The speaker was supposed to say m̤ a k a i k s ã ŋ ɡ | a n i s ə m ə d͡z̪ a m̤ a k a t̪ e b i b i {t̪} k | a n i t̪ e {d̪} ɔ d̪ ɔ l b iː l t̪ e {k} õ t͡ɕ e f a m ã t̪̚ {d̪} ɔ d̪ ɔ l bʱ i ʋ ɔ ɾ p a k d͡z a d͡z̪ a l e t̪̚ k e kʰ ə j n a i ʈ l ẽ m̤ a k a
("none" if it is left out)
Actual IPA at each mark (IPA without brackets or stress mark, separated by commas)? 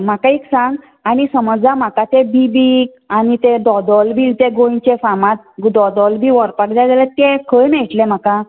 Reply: none, d̪, ɡ, d̪